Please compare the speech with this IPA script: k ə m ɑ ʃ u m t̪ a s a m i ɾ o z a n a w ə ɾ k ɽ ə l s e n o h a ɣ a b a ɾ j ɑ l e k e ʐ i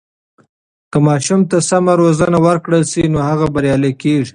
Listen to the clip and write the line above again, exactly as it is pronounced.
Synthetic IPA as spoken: k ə m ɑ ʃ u m t̪ a s a m a ɾ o z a n a w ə ɾ k ɽ ə l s i n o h a ɣ a b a ɾ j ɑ l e k e ʐ i